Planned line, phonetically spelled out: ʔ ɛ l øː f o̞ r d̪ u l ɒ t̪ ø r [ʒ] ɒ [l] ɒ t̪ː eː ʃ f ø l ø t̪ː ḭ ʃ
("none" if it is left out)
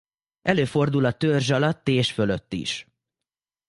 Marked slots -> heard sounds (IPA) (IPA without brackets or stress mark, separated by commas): ʒ, l